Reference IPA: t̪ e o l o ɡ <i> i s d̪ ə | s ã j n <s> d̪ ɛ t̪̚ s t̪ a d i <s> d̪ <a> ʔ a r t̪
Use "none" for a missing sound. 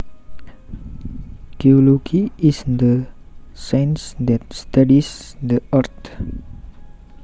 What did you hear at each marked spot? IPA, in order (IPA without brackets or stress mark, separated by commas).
i, s, s, ə